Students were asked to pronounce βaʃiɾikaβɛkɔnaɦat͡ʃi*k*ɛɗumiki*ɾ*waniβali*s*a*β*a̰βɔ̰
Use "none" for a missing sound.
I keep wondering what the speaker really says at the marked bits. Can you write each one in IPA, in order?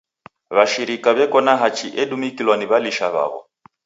ʔ, l, ʃ, β

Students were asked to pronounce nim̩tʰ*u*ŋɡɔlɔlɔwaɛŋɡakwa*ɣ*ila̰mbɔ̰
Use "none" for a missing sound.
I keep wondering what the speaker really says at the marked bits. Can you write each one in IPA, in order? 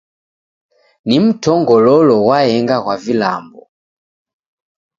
ɔ, v

